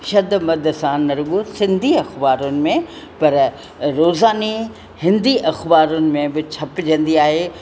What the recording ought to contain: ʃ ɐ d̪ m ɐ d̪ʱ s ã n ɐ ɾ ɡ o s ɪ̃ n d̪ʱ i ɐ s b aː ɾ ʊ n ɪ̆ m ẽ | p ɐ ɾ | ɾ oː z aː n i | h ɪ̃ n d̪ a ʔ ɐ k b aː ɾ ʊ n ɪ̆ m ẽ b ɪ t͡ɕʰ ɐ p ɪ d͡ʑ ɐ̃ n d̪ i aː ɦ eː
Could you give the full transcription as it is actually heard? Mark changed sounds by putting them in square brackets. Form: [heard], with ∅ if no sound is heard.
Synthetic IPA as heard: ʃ ɐ d̪ m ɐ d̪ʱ s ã n ɐ ɾ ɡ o s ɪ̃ n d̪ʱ i ɐ [x] b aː ɾ ʊ n ɪ̆ m ẽ | p ɐ ɾ | ɾ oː z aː n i | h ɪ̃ n d̪ [i] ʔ ɐ [x] b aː ɾ ʊ n ɪ̆ m ẽ b ɪ t͡ɕʰ ɐ p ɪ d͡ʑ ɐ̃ n d̪ i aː ɦ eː